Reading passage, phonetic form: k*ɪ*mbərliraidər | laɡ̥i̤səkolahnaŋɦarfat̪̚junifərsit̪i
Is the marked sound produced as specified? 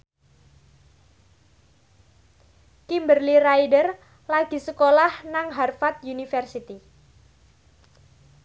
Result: no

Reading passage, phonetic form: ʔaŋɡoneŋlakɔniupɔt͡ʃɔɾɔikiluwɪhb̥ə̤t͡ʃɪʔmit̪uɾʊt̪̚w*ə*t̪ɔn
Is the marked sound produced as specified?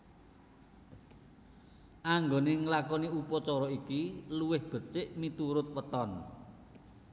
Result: yes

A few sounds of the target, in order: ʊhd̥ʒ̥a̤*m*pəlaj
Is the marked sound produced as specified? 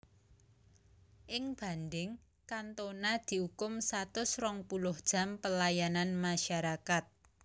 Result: yes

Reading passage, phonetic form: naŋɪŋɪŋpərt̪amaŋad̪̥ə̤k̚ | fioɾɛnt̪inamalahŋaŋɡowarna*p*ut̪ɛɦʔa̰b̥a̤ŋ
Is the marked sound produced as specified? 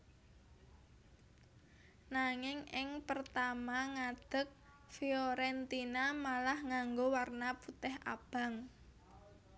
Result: yes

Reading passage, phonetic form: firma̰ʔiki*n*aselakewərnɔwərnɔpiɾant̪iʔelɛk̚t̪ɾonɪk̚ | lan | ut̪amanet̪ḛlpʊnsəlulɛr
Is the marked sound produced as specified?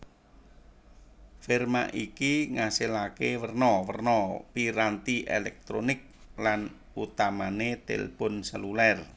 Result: no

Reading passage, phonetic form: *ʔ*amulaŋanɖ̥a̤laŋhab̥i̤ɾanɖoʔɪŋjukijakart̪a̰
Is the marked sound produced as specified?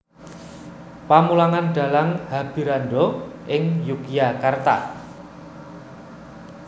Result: no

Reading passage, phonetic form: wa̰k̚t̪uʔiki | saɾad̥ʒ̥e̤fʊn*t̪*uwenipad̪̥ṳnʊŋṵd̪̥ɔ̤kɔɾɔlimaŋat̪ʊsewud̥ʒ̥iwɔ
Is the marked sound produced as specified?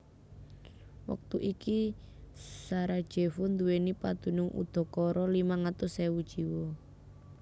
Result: no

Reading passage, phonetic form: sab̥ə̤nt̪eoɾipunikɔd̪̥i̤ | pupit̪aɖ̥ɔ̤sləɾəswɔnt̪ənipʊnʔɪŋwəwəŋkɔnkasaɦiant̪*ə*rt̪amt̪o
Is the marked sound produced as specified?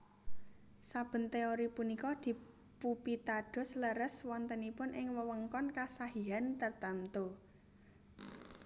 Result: yes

